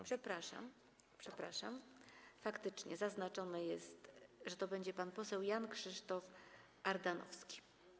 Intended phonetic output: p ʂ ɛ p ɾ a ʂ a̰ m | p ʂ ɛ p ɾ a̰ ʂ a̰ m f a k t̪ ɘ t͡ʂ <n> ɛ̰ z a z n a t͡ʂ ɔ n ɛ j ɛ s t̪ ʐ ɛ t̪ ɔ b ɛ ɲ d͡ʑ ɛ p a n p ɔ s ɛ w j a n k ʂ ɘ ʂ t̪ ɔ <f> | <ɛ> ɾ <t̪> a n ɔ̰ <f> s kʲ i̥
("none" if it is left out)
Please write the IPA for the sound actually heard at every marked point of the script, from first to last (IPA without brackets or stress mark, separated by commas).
ɲ, f, a, d̪, f